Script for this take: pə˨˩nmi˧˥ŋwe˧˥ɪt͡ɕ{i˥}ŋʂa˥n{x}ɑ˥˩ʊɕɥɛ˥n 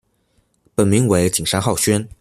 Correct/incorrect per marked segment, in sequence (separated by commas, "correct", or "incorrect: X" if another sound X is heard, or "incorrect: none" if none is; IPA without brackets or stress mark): incorrect: i˨˩, correct